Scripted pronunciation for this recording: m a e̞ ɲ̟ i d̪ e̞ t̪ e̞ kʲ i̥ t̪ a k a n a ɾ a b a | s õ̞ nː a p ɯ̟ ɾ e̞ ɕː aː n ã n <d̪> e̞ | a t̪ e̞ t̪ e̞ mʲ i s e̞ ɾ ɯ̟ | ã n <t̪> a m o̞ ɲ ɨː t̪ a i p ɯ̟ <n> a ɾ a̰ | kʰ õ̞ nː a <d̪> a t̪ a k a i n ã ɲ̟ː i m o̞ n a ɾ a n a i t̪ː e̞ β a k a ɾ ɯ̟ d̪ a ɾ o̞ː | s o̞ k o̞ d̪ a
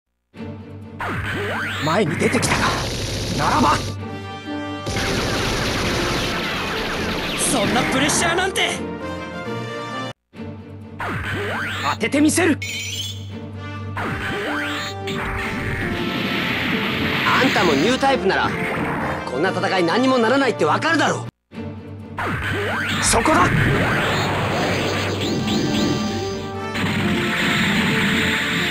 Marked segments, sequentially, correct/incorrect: incorrect: t̪, correct, correct, incorrect: t̪

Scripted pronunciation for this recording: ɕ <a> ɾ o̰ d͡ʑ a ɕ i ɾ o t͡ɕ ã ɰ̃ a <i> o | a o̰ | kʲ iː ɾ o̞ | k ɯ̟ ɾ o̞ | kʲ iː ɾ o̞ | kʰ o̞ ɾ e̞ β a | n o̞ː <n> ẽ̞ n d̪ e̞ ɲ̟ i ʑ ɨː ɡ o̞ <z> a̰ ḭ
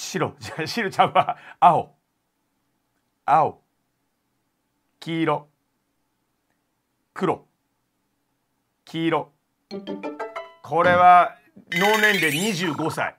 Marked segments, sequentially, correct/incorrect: incorrect: i, incorrect: a, correct, incorrect: s

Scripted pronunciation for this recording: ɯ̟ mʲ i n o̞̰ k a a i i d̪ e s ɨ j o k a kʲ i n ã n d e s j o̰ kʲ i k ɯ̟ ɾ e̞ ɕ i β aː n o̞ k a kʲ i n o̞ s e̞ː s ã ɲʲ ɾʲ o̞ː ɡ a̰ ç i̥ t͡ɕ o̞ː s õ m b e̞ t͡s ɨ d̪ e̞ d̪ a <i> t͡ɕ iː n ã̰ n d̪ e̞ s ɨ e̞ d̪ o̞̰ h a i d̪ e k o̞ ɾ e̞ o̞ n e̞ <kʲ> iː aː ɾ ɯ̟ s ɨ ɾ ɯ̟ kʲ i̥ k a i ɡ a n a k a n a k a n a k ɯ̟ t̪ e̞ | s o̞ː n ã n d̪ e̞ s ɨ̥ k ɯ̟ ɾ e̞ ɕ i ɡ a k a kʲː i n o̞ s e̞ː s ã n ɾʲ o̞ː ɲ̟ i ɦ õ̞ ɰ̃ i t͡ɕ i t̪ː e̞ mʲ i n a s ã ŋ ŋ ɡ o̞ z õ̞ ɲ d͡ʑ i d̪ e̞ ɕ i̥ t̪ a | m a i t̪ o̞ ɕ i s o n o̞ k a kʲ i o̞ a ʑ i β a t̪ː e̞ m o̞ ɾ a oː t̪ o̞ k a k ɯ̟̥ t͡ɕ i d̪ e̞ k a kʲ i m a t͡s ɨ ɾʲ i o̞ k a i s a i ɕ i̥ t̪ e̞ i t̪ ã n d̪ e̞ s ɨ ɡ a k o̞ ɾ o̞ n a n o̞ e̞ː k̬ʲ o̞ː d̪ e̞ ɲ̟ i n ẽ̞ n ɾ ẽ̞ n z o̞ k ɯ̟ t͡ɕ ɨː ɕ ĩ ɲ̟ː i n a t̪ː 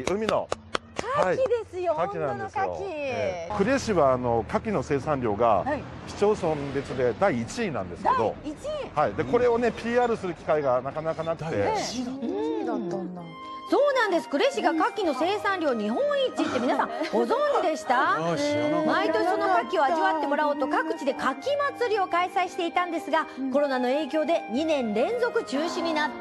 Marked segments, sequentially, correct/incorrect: incorrect: iː, incorrect: pʲ

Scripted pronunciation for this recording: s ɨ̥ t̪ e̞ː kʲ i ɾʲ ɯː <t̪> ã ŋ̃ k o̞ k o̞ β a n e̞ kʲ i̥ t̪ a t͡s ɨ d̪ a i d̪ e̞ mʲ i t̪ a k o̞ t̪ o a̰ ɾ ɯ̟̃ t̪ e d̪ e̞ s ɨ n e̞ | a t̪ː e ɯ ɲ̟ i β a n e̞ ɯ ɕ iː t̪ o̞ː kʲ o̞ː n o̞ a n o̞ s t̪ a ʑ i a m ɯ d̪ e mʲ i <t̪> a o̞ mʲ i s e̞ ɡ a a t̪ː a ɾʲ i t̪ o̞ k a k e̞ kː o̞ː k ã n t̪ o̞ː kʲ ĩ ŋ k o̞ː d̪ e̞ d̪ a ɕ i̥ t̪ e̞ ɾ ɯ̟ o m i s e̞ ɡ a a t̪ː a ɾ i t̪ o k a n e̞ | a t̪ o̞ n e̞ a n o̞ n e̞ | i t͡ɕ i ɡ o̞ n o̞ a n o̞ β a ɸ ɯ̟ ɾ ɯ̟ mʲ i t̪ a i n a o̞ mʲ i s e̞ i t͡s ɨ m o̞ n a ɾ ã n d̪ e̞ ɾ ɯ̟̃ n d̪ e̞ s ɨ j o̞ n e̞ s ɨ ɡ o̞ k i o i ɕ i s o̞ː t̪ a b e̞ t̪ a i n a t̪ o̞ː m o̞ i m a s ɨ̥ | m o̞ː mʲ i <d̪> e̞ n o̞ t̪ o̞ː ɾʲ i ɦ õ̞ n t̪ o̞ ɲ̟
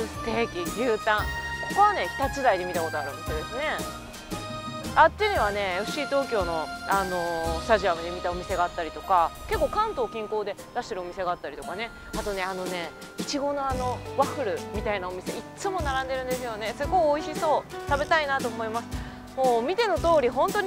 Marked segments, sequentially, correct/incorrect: correct, correct, incorrect: t̪

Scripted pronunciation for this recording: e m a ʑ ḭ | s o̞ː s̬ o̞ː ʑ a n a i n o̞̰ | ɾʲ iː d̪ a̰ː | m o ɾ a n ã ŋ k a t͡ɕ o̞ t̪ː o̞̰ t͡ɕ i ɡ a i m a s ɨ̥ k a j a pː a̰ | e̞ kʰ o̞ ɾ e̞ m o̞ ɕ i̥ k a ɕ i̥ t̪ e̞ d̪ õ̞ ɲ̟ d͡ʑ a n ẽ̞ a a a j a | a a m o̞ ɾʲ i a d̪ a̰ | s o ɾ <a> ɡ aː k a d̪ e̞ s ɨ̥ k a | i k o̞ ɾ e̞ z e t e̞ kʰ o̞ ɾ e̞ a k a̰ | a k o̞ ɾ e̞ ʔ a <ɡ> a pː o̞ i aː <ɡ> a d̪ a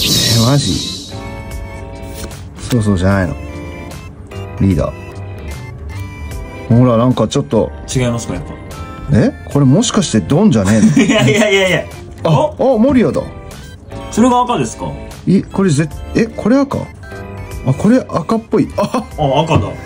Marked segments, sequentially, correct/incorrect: incorrect: e, incorrect: k, incorrect: k

